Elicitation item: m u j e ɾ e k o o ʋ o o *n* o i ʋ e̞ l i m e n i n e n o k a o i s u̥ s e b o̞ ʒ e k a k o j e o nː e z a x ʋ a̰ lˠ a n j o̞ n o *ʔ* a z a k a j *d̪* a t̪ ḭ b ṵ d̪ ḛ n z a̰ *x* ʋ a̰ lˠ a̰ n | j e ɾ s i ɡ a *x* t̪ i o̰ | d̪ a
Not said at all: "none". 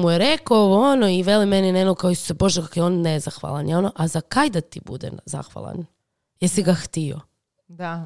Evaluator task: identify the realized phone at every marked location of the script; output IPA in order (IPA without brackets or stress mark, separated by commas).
n, ʔ, d̪, x, x